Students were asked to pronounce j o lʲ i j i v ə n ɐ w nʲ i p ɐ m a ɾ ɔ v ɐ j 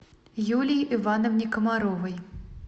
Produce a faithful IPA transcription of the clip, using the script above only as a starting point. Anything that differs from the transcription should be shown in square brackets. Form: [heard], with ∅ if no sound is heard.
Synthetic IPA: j [u] lʲ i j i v [a] n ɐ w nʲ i [k] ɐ m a ɾ ɔ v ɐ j